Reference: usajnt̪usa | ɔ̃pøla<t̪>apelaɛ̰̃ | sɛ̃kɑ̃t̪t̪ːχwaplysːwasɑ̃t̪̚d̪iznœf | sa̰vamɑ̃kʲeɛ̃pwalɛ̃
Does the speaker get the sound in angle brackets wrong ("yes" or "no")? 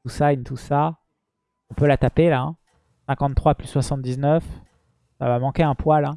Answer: no